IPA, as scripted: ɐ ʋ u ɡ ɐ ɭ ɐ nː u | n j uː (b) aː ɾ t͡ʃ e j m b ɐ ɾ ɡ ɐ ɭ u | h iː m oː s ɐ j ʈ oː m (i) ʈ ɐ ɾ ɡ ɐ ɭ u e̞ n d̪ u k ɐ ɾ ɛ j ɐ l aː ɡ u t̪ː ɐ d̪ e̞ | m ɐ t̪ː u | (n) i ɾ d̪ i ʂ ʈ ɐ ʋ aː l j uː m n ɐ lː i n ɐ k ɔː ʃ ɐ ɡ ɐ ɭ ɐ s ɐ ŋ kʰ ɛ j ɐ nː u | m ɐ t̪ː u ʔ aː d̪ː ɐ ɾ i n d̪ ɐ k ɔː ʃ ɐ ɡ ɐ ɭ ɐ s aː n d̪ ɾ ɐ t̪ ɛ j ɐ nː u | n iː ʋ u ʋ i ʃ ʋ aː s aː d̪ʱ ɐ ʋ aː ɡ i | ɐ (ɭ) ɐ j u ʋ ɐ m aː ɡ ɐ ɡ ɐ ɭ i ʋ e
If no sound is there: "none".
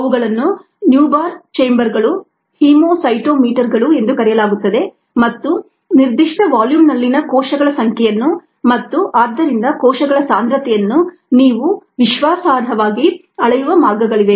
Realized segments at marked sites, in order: b, iː, n, ɭ

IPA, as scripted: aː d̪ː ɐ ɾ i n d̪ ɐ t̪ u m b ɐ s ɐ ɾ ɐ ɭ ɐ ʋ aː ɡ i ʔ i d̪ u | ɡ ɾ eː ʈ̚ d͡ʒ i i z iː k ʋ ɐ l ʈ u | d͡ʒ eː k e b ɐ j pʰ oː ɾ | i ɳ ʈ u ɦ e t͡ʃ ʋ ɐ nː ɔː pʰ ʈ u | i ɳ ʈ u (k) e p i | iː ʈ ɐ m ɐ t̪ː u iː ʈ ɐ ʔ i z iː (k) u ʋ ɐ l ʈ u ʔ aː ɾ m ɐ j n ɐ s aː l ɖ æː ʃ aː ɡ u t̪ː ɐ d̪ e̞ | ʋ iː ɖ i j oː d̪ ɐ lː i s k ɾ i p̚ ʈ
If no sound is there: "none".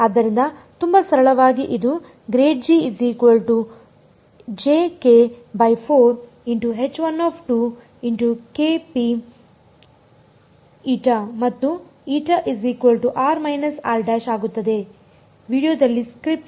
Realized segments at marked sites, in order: k, k

